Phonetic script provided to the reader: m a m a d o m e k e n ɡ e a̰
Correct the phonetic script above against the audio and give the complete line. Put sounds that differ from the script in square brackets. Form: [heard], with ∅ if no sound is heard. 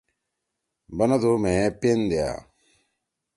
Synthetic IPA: [b] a [n] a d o m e [p] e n [d] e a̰